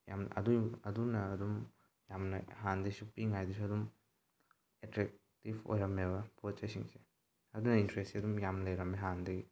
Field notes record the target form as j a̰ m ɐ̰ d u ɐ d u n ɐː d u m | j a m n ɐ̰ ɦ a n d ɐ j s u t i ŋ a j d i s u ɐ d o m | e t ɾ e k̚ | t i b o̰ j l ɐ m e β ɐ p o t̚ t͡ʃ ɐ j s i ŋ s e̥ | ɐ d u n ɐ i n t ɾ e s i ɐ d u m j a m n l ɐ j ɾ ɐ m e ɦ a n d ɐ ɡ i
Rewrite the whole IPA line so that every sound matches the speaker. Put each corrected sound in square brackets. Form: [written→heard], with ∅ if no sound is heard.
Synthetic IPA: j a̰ m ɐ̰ d u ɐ d u n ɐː d u m | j a m n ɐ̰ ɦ a n d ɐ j s u [t→p] i ŋ a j d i s u ɐ d [o→u] m | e t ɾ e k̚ | t i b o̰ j [l→ɾ] ɐ m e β ɐ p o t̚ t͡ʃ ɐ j s i ŋ s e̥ | ɐ d u n ɐ i n t ɾ e s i ɐ d u m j a m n l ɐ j ɾ ɐ m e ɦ a n d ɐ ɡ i